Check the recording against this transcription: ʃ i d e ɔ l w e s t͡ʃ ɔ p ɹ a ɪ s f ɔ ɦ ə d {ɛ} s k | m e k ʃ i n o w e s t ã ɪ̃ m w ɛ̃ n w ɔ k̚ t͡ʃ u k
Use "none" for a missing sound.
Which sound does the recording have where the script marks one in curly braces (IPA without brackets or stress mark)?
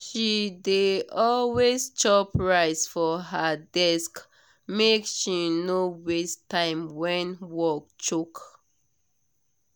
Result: ɛ